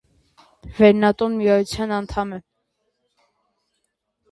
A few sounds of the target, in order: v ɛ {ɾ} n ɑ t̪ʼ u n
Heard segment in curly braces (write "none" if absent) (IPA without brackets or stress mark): ɾ